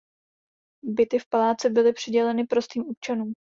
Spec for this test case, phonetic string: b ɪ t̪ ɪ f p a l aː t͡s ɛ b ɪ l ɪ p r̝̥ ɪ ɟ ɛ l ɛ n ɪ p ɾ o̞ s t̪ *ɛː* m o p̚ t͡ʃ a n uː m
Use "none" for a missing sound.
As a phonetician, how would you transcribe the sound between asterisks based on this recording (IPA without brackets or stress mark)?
iː